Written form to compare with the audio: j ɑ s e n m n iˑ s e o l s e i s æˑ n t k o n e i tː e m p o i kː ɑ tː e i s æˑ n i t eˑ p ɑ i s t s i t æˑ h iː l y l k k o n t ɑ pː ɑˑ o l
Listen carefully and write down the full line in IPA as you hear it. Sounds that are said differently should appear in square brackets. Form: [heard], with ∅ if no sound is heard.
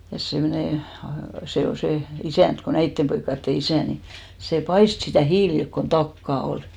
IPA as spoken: j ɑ s e [∅] m n [eˑ] s e o l s e i s æˑ n t k o n [æ] i tː e m p o i kː ɑ tː e i s æˑ n i [s] eˑ p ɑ i s t s i t æˑ h iː l [i] l k k o n t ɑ [kː] ɑˑ o l